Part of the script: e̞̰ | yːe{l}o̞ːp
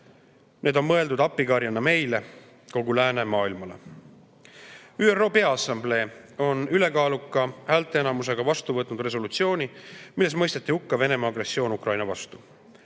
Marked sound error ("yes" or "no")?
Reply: yes